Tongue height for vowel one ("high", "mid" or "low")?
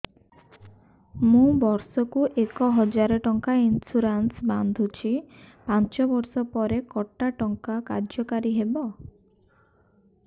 high